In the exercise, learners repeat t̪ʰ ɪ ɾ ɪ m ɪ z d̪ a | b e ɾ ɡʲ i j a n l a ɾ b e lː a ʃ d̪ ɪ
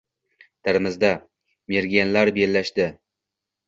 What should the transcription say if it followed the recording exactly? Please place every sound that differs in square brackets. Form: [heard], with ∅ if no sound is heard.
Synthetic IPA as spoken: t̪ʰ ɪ ɾ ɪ m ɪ z d̪ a | [m] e ɾ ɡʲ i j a n l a ɾ b e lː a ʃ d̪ ɪ